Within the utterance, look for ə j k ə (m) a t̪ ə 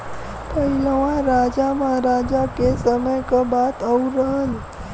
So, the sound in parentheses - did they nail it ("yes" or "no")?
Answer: no